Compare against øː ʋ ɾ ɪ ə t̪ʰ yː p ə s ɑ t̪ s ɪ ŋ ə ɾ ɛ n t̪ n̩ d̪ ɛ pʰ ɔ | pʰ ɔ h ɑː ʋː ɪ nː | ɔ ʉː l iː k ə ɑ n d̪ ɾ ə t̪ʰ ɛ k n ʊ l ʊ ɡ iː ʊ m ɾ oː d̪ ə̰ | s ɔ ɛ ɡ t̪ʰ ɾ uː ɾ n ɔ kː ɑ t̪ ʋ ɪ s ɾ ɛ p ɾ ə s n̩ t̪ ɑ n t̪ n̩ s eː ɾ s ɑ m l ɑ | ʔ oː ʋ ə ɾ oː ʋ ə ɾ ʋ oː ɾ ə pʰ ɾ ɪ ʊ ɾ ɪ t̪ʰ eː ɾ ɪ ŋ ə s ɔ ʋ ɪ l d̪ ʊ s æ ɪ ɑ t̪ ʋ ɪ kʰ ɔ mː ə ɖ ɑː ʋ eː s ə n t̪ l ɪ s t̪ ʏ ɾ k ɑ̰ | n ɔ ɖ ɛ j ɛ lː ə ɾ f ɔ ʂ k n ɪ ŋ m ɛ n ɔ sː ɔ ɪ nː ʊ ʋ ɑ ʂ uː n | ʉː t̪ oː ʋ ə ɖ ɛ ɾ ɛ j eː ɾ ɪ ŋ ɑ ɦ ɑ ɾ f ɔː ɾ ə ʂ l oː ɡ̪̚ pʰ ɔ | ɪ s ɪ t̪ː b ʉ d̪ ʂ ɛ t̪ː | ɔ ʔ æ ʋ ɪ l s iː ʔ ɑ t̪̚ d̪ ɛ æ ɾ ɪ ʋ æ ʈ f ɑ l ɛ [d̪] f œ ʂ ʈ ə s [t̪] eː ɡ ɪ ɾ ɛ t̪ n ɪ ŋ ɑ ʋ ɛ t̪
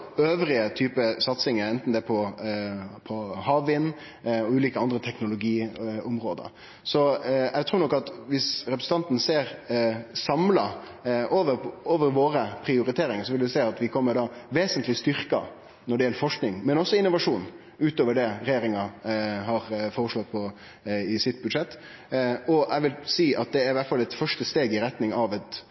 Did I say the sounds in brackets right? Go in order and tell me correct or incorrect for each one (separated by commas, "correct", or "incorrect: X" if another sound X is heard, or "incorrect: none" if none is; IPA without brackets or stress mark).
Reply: incorrect: t̪, correct